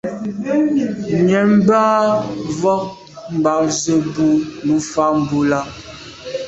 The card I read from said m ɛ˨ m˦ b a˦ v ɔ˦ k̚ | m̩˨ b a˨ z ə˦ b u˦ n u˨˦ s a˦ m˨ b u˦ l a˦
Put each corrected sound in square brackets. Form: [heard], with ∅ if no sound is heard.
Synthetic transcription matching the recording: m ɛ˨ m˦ b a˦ v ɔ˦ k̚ | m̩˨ b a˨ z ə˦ b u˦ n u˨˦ [f] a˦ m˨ b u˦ l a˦